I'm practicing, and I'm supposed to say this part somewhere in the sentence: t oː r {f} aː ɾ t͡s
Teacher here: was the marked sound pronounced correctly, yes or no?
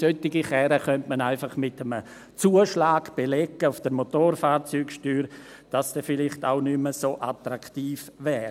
yes